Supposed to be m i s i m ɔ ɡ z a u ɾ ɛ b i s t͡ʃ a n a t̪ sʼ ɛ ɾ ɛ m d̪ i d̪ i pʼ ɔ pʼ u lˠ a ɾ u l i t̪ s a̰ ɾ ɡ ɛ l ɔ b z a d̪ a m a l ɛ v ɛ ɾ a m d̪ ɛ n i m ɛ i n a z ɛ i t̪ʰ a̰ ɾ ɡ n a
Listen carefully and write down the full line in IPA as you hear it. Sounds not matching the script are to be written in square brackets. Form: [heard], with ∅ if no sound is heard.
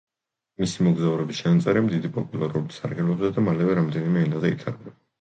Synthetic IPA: m i s i m ɔ ɡ z a u ɾ ɛ b i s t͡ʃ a n a t̪ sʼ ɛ ɾ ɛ m d̪ i d̪ i pʼ ɔ pʼ u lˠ a ɾ u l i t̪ s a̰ ɾ ɡ ɛ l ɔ b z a d̪ a m a l ɛ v ɛ ɾ a m d̪ ɛ n i m ɛ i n a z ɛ i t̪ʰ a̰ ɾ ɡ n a